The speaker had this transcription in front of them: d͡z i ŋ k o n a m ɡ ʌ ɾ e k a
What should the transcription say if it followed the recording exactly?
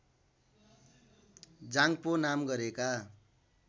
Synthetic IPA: d͡z a ŋ p o n a m ɡ ʌ ɾ e k a